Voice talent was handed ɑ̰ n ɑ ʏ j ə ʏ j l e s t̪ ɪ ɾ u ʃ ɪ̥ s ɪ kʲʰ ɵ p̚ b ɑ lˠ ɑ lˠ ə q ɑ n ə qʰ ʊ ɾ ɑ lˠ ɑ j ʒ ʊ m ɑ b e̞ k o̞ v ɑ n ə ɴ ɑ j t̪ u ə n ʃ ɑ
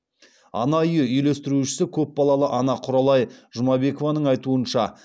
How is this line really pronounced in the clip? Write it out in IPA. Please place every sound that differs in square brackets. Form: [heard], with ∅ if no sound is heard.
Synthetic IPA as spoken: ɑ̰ n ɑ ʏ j ə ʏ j l e s t̪ ɪ ɾ u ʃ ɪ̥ s ɪ kʲʰ ɵ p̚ b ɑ lˠ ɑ lˠ ə [ʔ] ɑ n [ɑ] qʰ ʊ ɾ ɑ lˠ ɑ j ʒ ʊ m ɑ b e̞ k o̞ v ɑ n ə ɴ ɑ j t̪ u ə n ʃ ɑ